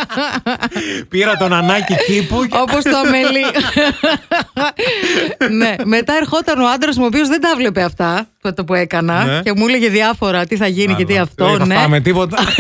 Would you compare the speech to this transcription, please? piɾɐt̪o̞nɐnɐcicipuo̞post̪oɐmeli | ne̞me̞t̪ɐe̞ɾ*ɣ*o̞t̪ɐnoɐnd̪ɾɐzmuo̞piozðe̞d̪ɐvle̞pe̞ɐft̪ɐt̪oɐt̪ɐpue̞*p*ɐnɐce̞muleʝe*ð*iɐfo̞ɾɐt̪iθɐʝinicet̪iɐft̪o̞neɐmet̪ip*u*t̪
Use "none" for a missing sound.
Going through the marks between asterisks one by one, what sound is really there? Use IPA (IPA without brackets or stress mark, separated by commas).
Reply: x, k, ð, o